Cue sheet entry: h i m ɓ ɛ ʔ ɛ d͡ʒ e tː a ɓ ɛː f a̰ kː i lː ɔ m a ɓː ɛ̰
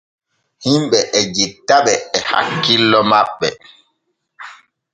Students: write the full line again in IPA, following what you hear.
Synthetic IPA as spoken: h i m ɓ ɛ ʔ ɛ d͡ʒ i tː a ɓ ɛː h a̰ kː i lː ɔ m a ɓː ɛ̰